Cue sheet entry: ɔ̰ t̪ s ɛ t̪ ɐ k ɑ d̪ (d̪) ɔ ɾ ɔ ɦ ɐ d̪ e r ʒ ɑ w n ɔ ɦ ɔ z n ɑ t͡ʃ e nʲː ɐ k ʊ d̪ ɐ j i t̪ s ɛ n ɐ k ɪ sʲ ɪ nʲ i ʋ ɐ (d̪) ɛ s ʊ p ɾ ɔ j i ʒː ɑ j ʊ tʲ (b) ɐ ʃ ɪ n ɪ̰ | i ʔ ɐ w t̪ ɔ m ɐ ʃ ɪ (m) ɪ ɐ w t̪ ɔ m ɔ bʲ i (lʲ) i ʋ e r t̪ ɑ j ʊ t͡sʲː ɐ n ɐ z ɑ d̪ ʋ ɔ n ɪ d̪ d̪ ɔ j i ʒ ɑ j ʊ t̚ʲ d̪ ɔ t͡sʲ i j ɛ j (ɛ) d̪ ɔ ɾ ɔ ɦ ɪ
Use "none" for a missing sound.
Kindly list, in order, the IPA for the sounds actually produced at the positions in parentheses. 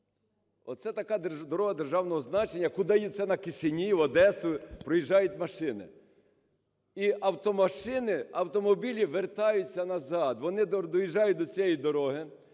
d̪, d̪, m, n, lʲ, i

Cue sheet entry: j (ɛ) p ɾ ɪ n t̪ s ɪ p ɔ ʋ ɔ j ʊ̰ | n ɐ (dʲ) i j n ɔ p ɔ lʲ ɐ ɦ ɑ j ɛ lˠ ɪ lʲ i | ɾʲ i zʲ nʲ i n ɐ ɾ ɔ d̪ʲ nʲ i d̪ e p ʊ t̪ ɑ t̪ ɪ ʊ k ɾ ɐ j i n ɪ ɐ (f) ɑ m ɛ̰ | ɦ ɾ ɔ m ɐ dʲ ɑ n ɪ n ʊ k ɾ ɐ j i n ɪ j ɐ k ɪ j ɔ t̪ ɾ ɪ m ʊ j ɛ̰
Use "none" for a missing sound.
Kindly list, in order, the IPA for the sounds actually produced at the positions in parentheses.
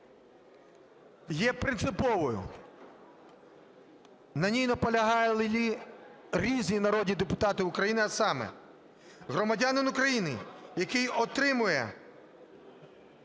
ɛ, nʲ, s

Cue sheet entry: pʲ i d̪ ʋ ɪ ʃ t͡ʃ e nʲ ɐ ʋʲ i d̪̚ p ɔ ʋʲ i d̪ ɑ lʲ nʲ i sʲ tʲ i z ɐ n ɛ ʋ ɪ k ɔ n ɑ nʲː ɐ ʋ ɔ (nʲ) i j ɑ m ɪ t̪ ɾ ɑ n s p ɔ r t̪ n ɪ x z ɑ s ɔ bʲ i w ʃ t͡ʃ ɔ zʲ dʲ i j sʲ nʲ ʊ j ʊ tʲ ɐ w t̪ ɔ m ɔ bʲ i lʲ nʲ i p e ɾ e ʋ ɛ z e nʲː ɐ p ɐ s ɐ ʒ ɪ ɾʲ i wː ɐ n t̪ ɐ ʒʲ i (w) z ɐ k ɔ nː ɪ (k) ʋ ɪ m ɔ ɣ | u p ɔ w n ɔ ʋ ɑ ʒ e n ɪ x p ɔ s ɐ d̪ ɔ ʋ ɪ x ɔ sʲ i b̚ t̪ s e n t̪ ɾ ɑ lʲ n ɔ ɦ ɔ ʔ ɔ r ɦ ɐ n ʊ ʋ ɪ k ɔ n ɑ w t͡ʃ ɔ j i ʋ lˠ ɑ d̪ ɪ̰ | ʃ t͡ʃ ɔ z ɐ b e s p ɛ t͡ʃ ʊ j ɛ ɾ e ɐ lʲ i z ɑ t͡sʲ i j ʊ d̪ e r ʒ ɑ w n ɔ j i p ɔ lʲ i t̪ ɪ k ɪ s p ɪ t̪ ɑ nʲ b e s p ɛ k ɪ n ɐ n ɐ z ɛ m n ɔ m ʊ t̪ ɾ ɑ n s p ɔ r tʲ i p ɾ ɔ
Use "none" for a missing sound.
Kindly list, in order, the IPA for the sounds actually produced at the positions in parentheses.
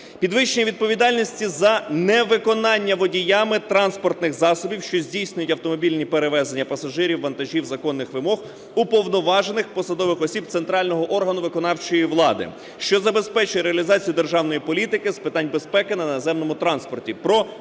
dʲ, w, x

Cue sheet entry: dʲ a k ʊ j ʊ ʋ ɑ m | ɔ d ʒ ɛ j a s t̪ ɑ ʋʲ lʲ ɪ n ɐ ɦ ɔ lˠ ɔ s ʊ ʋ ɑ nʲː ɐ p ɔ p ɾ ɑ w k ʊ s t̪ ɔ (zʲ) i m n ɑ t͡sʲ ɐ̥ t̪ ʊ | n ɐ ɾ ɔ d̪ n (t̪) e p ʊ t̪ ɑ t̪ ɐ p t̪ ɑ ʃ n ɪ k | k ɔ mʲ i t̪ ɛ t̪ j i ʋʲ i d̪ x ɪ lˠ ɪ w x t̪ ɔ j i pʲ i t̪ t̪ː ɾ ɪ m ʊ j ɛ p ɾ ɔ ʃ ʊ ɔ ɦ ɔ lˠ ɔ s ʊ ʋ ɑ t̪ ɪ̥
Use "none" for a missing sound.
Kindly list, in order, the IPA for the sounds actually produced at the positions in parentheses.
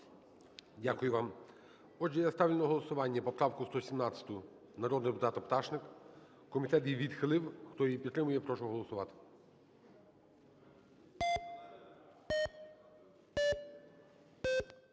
sʲ, d̪

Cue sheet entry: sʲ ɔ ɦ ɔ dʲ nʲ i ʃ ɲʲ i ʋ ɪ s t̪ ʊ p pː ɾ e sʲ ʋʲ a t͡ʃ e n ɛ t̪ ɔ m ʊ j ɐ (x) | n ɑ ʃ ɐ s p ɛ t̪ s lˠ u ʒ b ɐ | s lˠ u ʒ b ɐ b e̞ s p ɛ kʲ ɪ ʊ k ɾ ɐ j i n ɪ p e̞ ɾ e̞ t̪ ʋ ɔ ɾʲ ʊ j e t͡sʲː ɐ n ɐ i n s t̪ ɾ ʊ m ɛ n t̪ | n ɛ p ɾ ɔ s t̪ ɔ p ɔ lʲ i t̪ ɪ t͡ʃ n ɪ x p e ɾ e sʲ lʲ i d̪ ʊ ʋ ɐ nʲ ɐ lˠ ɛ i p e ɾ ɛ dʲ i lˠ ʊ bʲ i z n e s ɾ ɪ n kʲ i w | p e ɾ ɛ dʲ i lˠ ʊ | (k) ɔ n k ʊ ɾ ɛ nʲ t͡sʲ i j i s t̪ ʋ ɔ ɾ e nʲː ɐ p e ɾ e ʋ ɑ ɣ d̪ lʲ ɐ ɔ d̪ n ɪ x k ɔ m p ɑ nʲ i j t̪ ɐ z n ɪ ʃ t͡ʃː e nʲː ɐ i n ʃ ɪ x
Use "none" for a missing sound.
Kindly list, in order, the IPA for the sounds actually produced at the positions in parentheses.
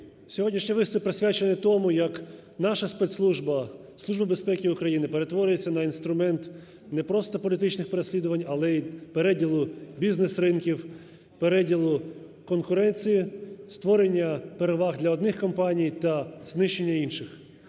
k, k

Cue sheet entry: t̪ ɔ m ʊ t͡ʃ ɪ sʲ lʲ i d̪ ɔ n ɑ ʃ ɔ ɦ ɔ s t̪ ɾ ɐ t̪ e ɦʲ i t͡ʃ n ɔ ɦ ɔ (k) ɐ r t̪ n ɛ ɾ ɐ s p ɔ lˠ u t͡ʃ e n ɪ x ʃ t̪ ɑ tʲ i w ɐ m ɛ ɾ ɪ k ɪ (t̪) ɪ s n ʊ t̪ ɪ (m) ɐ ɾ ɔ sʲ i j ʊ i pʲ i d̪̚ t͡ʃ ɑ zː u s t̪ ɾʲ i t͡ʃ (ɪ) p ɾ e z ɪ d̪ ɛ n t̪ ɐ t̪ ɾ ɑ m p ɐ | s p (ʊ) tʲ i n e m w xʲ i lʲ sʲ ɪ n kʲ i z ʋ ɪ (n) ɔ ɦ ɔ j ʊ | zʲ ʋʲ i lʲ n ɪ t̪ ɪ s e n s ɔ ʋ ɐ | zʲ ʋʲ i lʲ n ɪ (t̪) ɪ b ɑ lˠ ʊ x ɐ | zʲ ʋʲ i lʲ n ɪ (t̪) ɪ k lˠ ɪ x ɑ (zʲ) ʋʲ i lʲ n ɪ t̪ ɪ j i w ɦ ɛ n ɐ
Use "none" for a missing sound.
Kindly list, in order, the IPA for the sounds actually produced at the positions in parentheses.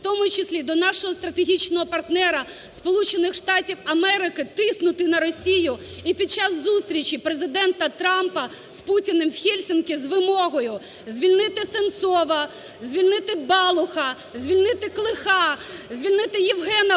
p, t̪, n, i, u, m, t̪, t̪, zʲ

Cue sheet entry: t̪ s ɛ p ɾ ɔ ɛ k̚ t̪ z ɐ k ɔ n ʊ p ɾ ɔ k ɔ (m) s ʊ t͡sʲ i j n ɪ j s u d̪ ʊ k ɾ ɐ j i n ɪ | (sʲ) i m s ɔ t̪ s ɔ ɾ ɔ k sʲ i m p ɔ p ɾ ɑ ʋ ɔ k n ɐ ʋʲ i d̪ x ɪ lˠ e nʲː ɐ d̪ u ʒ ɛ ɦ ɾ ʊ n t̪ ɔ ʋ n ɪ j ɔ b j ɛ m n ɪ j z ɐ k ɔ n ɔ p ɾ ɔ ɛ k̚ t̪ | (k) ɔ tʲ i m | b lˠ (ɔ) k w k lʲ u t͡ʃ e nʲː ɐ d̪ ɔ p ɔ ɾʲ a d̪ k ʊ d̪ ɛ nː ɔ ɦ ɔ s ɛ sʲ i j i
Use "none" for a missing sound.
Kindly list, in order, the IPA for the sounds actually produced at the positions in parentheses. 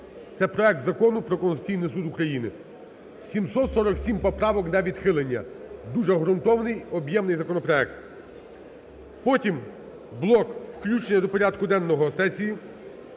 n, sʲ, p, ɔ

